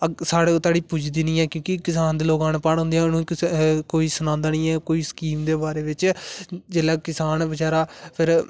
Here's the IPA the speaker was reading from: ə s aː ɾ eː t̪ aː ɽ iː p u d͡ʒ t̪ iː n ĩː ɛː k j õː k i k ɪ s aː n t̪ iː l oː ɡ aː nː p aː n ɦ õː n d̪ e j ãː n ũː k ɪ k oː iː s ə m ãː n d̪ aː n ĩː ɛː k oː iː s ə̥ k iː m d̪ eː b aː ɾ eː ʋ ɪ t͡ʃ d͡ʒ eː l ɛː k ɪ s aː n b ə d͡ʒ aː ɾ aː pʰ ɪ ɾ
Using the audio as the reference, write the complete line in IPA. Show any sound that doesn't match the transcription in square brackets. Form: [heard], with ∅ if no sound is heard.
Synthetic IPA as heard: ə s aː [ɽ] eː t̪ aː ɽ iː p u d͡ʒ [d̪] iː n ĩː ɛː k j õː k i k ɪ s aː n [d̪] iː l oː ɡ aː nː p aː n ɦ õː n d̪ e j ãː n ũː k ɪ k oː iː s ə [n] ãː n d̪ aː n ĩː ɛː k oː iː s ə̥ k iː m d̪ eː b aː ɾ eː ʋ ɪ t͡ʃ d͡ʒ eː l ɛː k ɪ s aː n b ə d͡ʒ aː ɾ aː pʰ ɪ ɾ